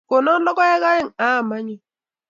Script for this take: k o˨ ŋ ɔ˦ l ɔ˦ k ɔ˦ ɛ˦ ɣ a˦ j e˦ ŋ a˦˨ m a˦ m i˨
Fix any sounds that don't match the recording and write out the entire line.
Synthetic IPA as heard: k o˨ n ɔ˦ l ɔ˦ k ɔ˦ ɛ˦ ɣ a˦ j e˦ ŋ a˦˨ m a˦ ɲ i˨